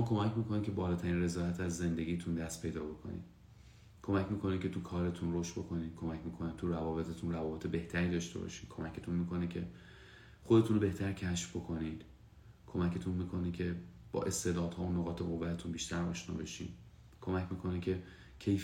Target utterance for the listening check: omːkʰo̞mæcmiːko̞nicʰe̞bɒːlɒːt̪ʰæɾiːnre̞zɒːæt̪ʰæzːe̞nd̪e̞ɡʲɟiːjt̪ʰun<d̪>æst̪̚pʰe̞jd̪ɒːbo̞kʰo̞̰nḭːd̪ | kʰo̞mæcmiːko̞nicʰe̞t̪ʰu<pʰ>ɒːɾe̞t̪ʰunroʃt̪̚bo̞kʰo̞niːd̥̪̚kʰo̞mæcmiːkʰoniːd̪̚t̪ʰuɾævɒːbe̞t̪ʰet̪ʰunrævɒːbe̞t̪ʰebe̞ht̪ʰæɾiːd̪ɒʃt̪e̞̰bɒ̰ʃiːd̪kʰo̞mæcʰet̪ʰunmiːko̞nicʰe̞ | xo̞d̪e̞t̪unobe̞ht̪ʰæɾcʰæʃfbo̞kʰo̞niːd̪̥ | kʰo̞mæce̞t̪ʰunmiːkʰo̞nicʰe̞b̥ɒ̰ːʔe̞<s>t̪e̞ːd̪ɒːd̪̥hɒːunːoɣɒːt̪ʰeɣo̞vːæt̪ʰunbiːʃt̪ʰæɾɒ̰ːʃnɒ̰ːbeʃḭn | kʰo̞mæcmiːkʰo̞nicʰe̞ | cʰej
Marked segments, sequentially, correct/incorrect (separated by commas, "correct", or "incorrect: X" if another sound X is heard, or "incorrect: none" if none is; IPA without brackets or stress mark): correct, incorrect: kʰ, correct